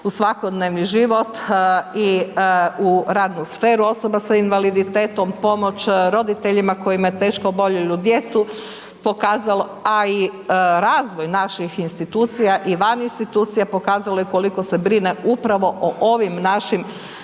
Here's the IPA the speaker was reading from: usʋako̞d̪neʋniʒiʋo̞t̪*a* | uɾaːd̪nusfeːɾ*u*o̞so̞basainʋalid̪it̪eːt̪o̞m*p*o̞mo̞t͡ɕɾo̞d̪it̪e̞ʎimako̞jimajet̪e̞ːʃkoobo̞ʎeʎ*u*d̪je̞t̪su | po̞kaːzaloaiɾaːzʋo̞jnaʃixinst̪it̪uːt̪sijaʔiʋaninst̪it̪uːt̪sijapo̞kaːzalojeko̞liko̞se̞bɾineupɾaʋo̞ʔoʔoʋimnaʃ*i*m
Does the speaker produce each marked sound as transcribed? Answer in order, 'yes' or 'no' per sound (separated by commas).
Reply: no, yes, yes, yes, yes